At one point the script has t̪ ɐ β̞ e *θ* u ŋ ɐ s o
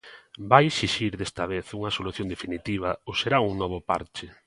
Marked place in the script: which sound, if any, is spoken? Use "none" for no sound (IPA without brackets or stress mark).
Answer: θ